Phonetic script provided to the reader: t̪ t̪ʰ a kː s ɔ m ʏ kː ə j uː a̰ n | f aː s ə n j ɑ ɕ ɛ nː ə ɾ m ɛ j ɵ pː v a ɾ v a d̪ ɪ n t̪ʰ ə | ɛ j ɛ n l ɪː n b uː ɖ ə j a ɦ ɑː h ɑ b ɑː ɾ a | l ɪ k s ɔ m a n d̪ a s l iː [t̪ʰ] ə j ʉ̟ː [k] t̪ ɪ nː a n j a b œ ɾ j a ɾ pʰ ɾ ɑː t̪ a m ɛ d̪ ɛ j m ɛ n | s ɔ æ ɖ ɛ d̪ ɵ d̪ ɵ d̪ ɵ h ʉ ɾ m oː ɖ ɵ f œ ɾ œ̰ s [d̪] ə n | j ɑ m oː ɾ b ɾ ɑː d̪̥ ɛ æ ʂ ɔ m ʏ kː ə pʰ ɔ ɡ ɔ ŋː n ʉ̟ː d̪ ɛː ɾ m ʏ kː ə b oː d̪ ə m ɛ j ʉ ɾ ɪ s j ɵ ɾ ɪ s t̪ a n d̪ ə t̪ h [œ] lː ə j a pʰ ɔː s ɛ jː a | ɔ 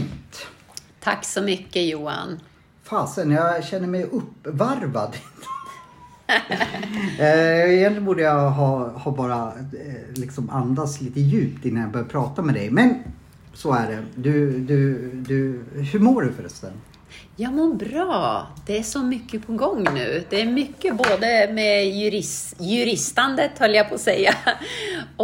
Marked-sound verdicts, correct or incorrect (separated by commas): incorrect, incorrect, incorrect, correct